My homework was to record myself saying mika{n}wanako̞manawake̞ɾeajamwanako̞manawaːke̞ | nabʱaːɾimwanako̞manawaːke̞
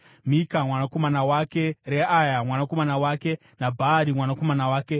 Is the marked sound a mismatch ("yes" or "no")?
yes